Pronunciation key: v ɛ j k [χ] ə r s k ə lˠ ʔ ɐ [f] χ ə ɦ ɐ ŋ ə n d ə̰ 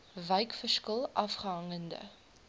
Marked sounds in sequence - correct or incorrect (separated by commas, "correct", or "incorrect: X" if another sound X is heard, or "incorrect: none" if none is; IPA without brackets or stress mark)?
incorrect: f, correct